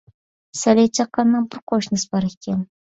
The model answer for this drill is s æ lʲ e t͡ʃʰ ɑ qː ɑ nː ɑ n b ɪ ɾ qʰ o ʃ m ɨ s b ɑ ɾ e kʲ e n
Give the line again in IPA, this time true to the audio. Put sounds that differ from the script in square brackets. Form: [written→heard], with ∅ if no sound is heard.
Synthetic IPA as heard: s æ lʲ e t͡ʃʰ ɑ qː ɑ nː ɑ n b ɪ ɾ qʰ o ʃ [m→n] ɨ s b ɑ ɾ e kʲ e n